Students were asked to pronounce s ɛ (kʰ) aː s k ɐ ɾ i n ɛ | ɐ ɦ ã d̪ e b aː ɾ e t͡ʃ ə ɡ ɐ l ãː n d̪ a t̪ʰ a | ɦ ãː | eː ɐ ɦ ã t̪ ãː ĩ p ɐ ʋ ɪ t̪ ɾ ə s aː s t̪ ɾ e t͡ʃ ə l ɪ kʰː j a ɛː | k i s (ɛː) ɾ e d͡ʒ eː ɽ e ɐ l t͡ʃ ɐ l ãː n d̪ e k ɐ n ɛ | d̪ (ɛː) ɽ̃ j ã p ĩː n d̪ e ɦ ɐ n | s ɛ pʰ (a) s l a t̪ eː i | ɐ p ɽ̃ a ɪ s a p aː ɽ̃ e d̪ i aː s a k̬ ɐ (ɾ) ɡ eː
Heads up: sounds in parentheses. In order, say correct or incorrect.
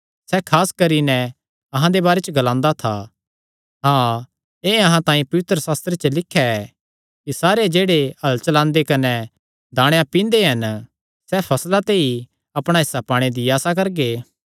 correct, incorrect: aː, incorrect: aː, incorrect: ɐ, correct

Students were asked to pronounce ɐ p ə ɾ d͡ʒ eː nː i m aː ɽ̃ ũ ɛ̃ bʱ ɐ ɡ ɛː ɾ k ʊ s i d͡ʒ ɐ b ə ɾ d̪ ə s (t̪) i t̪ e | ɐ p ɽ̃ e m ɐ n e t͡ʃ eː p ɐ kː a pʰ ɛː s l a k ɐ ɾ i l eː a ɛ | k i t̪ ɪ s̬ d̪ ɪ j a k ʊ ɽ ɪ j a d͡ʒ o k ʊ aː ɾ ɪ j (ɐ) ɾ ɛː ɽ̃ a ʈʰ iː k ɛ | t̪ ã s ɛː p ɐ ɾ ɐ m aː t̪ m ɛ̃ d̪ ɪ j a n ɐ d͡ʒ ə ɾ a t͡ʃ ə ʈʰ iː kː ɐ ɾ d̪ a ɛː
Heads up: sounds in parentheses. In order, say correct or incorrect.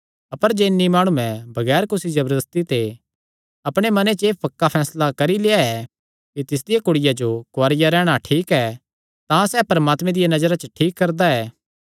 correct, incorrect: a

